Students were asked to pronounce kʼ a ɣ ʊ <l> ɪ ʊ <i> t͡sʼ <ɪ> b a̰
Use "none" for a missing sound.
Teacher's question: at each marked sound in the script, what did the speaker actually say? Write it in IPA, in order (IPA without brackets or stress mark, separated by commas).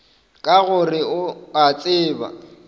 r, a, ɪː